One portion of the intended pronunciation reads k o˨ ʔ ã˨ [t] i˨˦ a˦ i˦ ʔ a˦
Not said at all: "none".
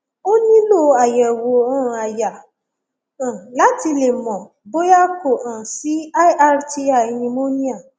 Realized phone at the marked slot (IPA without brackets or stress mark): s